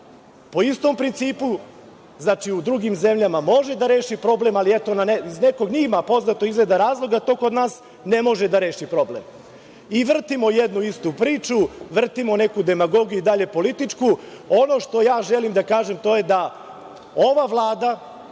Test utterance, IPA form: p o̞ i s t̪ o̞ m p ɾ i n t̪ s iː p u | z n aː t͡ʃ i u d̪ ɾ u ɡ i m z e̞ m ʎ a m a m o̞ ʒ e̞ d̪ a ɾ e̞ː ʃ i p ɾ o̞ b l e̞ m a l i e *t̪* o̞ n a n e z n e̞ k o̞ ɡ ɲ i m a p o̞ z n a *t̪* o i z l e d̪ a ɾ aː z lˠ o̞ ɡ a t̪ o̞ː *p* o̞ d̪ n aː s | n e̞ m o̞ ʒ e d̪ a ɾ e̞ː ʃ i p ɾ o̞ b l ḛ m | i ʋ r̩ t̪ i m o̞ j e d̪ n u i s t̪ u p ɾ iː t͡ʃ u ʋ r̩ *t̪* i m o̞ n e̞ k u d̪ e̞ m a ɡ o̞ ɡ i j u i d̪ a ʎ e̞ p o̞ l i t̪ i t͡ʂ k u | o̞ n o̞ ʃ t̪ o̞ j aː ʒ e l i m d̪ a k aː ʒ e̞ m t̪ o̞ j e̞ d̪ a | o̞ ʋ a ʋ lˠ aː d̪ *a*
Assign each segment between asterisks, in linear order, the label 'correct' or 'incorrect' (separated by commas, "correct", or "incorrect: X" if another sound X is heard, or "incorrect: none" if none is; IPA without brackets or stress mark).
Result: correct, correct, incorrect: k, correct, correct